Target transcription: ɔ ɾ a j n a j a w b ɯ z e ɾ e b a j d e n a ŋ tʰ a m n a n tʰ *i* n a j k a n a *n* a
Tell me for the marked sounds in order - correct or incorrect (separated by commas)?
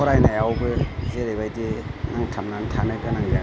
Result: incorrect, incorrect